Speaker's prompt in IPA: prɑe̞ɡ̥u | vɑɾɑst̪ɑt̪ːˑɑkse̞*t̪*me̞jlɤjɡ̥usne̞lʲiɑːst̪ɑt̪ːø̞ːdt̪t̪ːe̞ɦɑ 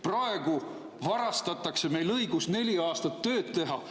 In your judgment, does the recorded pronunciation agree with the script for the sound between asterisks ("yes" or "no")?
no